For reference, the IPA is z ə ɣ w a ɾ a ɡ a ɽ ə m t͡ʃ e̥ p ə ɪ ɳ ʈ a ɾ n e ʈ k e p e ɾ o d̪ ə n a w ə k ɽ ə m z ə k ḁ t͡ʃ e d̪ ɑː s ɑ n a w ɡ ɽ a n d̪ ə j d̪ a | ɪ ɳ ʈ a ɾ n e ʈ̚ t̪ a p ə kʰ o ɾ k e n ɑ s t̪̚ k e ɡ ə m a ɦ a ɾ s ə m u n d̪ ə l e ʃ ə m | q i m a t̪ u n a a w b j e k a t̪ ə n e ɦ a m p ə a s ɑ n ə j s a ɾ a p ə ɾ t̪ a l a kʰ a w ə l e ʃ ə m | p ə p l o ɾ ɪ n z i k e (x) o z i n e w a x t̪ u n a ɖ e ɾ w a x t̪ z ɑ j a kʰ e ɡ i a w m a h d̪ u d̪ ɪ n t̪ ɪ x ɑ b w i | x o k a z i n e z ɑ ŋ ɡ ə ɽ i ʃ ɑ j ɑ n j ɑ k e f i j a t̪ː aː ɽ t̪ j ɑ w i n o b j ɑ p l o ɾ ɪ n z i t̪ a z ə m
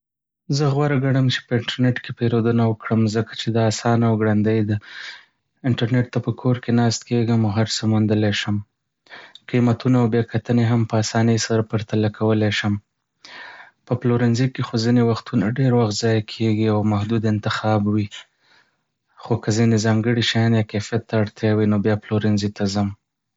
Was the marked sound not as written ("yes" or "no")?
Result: no